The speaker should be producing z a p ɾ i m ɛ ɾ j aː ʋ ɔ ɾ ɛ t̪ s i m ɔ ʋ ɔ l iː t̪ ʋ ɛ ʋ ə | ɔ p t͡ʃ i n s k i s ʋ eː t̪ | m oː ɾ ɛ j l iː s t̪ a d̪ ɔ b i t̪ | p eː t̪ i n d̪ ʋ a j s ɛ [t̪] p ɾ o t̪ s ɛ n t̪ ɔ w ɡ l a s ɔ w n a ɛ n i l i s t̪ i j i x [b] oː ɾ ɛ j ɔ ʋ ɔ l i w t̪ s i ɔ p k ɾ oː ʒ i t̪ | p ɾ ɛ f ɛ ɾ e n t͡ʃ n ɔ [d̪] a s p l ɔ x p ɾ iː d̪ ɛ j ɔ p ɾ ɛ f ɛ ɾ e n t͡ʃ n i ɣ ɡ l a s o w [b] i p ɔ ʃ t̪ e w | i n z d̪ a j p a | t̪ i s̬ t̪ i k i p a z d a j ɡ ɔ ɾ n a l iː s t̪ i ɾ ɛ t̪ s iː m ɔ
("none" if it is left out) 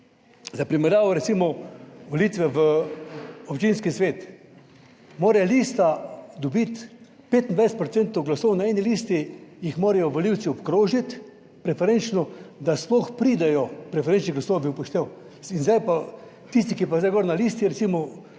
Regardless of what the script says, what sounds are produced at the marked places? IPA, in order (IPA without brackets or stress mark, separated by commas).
t̪, m, d̪, b